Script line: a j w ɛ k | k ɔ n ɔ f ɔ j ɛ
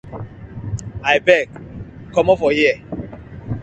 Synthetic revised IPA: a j b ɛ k | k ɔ m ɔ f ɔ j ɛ